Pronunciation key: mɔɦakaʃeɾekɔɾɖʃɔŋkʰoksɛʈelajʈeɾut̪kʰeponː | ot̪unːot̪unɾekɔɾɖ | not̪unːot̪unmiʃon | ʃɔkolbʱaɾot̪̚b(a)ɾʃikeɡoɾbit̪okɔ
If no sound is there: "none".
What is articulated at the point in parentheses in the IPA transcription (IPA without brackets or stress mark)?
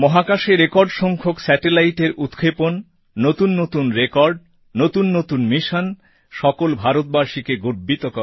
a